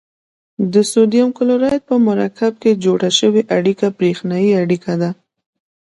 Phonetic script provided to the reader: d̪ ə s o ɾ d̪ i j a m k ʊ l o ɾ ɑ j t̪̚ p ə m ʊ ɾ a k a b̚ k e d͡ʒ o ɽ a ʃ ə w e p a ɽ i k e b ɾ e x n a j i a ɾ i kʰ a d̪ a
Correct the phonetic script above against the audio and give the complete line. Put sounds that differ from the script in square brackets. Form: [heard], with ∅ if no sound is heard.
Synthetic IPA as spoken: d̪ ə s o [∅] d̪ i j a m k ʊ l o ɾ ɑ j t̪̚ p ə m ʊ ɾ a k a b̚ k e d͡ʒ o ɽ a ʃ ə w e [ʔ] a ɽ i k [a] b ɾ e x n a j i a [ɽ] i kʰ a d̪ a